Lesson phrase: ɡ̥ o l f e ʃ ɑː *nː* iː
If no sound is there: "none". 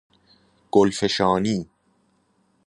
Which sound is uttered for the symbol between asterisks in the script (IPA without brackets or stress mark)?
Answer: n